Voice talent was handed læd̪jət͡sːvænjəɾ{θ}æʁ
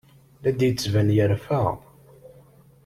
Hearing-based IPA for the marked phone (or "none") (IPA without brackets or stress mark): f